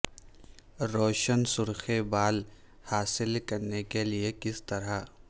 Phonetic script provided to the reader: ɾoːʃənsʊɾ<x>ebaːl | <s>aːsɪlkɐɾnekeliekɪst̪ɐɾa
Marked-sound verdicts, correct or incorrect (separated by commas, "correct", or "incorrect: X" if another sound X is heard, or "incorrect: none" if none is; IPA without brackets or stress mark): correct, incorrect: h